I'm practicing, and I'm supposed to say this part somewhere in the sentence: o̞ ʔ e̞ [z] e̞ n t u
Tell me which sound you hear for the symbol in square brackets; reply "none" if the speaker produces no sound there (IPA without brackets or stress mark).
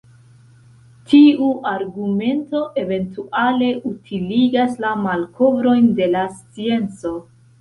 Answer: v